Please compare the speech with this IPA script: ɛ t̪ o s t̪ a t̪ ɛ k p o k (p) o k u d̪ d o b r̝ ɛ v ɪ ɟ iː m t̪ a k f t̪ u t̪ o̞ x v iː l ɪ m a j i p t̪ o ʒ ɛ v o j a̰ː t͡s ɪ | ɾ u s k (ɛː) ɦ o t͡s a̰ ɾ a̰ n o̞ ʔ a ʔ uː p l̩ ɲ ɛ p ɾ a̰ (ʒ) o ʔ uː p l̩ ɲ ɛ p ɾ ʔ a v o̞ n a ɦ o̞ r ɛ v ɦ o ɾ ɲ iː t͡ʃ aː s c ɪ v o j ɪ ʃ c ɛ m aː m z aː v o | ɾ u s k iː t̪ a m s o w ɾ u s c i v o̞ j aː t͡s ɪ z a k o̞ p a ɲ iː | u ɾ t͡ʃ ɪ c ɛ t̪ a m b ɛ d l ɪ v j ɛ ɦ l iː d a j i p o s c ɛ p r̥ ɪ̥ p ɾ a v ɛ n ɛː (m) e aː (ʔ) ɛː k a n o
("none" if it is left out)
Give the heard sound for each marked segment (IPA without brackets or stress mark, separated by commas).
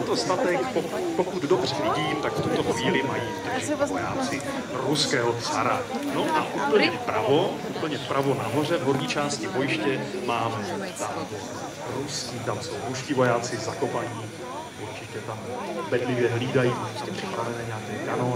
p, ɛː, v, ɲ, k